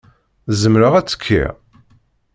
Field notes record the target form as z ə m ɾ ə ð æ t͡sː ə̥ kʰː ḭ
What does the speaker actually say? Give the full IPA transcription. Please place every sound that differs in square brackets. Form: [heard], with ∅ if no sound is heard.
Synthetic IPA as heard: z ə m ɾ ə [ʁ] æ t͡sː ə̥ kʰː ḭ